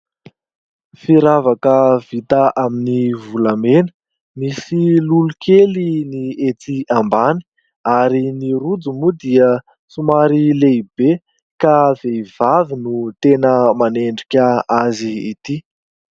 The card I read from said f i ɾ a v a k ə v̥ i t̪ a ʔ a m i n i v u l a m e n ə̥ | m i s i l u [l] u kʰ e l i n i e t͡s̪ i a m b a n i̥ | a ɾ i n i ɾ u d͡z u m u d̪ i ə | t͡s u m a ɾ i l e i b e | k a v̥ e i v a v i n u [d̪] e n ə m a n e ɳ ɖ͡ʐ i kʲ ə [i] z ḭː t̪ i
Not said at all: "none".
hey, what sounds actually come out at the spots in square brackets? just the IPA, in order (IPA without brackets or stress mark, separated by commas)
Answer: l, t̪, a